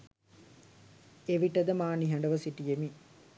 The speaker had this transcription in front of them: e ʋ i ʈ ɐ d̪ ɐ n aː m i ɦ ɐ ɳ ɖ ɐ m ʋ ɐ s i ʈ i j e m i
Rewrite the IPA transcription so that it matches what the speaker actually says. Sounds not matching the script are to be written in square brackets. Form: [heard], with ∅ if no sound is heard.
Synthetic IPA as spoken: e ʋ i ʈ ɐ d̪ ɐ [m] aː [n] i ɦ ɐ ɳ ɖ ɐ [∅] ʋ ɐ s i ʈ i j e m i